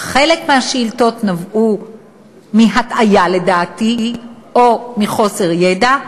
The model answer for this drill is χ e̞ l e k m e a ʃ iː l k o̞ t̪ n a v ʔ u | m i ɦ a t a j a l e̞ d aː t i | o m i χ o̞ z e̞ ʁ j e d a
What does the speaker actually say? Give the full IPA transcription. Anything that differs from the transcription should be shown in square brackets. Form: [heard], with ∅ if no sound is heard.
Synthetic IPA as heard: χ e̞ l e k m e a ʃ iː l [t] o̞ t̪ n a v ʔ u | m i ɦ a t a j a l e̞ d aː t i | o m i χ o̞ [s] e̞ ʁ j e d a